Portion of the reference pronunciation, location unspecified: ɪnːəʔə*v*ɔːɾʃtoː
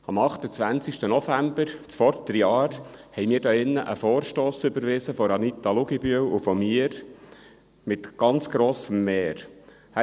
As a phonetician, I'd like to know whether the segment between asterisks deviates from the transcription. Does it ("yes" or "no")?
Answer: yes